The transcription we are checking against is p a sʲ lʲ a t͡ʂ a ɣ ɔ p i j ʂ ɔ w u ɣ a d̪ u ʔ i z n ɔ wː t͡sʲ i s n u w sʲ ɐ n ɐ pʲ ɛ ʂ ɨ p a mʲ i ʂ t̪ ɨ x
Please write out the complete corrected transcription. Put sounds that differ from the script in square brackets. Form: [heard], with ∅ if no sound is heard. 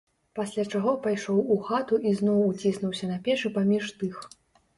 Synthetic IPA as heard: p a sʲ lʲ a t͡ʂ a ɣ ɔ p [a] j ʂ ɔ w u [x] a [t̪] u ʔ i z n ɔ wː t͡sʲ i s n u w sʲ ɐ n ɐ pʲ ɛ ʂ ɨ p a mʲ i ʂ t̪ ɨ x